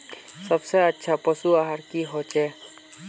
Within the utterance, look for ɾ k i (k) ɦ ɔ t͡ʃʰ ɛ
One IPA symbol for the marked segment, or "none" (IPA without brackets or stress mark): none